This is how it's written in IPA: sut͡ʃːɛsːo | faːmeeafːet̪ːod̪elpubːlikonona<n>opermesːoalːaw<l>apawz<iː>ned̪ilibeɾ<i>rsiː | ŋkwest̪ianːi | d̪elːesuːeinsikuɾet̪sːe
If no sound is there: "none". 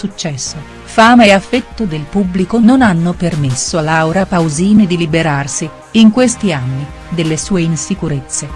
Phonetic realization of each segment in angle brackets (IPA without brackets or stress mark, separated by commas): nː, ɾ, iː, a